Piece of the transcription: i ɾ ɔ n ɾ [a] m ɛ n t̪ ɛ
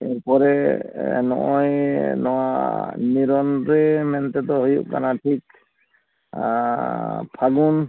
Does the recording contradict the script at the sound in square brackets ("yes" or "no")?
yes